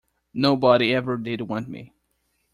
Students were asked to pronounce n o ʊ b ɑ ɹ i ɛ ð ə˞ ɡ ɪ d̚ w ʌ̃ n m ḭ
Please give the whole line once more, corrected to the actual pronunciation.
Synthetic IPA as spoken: n o ʊ b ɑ ɾ i ɛ v ə˞ d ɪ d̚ w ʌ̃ n m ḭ